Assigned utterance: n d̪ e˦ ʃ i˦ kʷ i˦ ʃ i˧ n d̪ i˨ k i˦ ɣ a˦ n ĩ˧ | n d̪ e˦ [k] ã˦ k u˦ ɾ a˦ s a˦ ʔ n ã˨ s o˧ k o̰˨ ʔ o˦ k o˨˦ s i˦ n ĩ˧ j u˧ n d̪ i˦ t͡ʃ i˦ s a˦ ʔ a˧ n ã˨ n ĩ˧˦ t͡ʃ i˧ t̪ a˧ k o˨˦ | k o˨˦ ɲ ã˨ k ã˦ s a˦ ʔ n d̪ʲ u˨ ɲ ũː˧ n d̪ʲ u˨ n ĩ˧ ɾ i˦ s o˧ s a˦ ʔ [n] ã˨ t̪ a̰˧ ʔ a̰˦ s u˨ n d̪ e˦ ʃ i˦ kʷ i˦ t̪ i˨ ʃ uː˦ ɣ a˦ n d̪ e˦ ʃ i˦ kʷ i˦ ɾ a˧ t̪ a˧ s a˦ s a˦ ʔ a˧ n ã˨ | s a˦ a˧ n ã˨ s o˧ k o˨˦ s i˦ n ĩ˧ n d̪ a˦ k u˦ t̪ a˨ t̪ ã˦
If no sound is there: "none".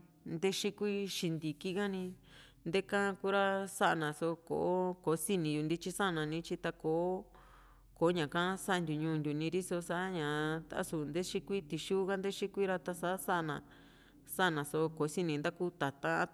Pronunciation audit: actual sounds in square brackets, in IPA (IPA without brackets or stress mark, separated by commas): k, ɲ